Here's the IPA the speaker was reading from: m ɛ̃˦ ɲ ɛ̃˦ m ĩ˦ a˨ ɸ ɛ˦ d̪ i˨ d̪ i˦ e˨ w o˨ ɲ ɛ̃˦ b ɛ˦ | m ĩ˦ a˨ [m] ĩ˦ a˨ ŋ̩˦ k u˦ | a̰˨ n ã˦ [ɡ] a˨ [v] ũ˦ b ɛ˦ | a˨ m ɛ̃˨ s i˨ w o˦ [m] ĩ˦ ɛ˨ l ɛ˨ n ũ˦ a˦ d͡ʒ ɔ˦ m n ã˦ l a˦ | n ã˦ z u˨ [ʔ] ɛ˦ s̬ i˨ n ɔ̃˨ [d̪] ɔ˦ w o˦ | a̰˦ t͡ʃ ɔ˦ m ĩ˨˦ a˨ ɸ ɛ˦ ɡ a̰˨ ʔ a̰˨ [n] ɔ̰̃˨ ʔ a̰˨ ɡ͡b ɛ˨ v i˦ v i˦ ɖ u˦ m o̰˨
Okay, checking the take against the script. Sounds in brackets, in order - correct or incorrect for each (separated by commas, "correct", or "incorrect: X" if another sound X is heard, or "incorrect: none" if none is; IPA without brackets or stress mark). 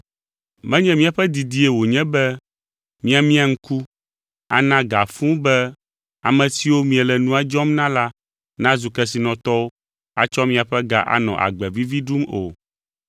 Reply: correct, correct, incorrect: f, correct, incorrect: k, incorrect: t̪, correct